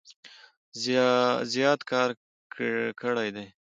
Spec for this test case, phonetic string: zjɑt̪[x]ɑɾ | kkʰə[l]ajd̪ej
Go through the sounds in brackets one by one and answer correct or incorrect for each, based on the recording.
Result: incorrect, incorrect

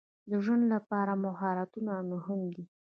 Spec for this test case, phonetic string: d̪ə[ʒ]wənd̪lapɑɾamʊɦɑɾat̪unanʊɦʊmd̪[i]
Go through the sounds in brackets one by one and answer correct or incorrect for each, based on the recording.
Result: correct, correct

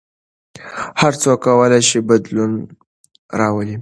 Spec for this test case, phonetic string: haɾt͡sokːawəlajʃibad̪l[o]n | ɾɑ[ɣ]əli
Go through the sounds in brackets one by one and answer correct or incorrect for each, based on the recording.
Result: incorrect, incorrect

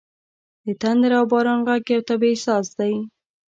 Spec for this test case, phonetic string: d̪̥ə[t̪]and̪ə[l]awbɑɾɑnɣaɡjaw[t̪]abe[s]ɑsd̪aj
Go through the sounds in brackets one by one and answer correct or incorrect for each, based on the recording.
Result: correct, incorrect, correct, correct

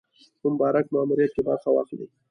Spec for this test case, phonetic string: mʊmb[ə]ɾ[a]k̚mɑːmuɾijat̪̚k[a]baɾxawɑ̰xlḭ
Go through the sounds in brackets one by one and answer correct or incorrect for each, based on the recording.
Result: incorrect, correct, incorrect

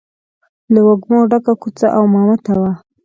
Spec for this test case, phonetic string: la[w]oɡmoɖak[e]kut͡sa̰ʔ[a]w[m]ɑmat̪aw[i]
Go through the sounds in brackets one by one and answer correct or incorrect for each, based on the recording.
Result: correct, incorrect, correct, correct, incorrect

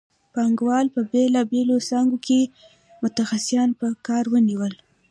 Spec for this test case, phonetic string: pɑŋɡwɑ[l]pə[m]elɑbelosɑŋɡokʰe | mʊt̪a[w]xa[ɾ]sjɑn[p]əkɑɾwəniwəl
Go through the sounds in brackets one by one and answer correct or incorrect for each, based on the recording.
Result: correct, incorrect, incorrect, incorrect, correct

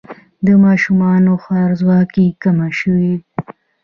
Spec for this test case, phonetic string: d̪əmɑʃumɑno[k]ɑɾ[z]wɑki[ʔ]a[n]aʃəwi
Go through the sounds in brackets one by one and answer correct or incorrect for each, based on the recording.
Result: incorrect, correct, incorrect, incorrect

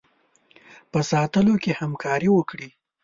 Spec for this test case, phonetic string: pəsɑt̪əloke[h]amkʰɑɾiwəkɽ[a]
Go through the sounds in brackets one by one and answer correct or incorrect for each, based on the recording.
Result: correct, incorrect

